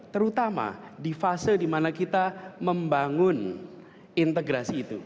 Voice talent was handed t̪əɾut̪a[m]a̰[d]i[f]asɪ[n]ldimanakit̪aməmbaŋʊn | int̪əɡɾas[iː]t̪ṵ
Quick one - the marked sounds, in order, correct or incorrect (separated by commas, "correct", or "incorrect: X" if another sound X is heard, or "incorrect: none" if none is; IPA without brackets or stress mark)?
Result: correct, correct, correct, incorrect: none, correct